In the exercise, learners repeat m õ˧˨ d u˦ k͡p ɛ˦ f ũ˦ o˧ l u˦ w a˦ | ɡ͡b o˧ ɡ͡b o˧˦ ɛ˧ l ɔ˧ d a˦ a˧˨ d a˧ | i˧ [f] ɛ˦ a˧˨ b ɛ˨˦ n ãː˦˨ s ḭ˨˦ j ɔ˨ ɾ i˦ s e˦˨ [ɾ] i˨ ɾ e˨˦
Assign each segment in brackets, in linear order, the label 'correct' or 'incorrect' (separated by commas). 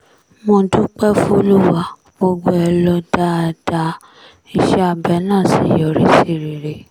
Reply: incorrect, correct